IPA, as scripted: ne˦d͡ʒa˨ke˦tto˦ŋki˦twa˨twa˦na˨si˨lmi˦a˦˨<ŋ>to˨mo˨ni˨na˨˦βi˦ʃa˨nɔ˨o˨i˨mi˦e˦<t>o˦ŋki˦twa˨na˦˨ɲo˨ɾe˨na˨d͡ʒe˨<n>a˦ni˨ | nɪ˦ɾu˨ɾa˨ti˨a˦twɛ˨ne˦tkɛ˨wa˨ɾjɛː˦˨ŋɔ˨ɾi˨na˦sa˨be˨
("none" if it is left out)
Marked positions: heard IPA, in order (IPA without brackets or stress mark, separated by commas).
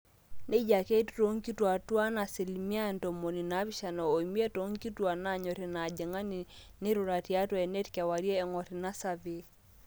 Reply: n, t, ŋ